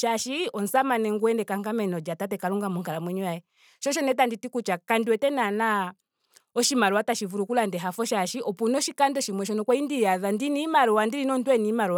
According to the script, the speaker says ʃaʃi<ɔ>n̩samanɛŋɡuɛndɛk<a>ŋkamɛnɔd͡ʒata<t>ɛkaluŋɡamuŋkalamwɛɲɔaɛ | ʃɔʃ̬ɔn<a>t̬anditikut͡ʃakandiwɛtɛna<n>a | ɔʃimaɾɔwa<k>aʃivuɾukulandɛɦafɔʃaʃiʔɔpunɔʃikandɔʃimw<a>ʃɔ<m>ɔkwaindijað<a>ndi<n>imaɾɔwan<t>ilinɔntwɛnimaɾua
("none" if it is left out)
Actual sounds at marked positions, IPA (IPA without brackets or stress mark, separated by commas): ɔ, a, t, ɛ, n, t, ɛ, n, a, n, d